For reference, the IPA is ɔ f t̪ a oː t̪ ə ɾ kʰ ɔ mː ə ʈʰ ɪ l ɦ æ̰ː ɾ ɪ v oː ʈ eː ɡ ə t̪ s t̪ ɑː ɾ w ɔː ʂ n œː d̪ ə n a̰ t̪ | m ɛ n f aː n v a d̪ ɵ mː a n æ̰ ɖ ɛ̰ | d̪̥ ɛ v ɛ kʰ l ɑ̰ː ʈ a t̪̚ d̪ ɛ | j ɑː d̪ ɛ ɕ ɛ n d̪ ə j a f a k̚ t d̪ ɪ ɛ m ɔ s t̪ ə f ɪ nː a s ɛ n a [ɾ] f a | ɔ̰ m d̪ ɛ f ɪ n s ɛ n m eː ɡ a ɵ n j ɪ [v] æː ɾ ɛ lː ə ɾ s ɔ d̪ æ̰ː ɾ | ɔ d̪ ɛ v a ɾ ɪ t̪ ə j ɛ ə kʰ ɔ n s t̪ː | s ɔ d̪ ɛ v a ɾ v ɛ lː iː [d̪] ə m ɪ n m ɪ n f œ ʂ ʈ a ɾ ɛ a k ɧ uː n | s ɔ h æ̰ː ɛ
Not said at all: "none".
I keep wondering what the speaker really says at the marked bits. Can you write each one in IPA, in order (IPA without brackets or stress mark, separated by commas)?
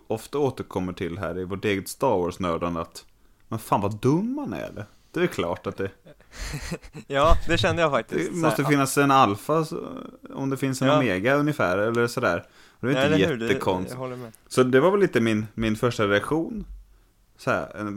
l, f, t̪